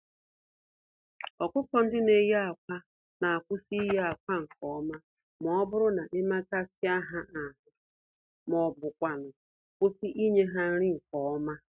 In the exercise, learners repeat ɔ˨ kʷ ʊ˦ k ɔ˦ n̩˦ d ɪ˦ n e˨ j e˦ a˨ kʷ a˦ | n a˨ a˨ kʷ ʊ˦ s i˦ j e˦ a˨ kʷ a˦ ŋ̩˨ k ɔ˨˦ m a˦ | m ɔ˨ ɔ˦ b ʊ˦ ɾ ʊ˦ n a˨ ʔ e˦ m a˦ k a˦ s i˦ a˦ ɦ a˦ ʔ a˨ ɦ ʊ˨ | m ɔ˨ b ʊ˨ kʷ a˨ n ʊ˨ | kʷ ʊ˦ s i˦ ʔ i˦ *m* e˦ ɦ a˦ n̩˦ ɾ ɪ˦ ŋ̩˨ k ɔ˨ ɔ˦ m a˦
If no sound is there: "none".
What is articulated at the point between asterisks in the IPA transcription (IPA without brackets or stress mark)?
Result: ɲ